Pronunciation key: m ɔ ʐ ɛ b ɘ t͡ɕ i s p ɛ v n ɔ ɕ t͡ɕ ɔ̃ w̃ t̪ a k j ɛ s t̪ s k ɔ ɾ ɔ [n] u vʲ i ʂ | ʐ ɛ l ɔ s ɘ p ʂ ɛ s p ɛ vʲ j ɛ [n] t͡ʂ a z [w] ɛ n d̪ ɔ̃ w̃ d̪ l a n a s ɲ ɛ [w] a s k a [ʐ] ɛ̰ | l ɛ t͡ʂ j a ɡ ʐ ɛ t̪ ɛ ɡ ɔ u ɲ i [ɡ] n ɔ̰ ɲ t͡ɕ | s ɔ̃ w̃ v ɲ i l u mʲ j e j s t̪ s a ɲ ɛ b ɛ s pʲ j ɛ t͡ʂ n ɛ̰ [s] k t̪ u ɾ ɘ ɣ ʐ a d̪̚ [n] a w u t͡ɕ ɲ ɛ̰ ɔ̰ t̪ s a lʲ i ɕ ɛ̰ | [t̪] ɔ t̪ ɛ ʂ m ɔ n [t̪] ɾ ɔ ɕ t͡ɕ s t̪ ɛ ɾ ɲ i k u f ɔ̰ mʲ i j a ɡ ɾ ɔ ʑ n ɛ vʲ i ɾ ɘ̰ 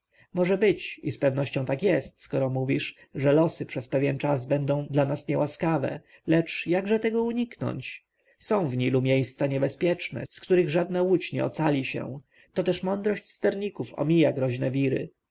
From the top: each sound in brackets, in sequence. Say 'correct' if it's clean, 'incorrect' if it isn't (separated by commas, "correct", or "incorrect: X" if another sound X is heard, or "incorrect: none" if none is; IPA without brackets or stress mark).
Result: incorrect: m, correct, incorrect: b, correct, incorrect: v, incorrect: k, correct, correct, correct, incorrect: d̪